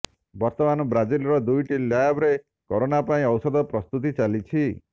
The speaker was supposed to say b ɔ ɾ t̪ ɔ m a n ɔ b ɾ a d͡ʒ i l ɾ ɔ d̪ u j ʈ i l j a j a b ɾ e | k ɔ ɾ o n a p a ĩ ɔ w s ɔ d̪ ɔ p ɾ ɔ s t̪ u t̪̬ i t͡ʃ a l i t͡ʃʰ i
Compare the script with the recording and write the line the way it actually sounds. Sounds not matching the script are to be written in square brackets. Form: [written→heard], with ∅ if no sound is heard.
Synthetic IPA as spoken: b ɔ ɾ t̪ ɔ m a n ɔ b ɾ a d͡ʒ i l ɾ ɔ d̪ u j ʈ i l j a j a b ɾ e | k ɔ ɾ o n a p a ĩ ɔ w s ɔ d̪ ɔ p ɾ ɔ s t̪ u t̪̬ i t͡ʃ a l i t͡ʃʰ i